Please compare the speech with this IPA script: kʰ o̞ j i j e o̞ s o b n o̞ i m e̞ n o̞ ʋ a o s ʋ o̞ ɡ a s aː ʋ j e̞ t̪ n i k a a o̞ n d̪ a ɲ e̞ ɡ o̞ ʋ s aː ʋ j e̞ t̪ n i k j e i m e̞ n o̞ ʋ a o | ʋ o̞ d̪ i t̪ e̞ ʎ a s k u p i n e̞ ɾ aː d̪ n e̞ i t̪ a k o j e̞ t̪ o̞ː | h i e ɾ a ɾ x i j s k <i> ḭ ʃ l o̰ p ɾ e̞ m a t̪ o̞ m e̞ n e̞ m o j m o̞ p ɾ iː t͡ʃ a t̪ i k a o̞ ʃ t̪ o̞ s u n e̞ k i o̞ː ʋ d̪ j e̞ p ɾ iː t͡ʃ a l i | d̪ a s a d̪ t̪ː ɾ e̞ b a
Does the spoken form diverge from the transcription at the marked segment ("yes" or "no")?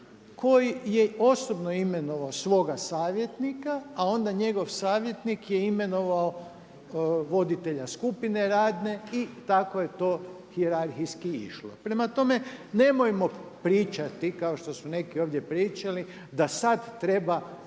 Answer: no